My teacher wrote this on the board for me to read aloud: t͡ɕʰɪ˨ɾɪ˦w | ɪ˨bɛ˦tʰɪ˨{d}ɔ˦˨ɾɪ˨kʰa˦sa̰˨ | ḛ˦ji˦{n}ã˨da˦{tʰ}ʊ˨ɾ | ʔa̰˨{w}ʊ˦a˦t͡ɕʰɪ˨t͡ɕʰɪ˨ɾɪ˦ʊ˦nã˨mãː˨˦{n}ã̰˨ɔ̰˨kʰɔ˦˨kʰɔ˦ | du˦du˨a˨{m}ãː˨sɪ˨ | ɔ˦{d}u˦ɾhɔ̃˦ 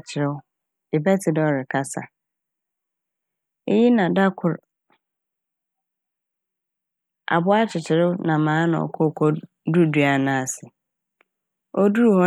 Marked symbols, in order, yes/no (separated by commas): yes, yes, no, no, yes, no, yes